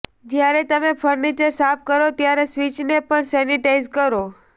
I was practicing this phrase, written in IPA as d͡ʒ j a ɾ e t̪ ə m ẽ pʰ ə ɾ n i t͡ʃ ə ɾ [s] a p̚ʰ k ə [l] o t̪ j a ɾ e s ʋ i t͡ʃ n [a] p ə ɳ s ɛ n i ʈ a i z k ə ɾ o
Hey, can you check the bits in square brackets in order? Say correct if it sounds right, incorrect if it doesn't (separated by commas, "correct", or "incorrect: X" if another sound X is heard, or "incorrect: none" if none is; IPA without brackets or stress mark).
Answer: correct, incorrect: ɾ, incorrect: e